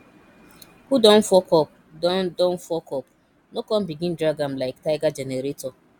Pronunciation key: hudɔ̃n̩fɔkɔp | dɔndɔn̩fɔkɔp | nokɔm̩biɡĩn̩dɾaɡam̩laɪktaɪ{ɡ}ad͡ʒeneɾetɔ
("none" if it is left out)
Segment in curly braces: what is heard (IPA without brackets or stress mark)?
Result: ɡ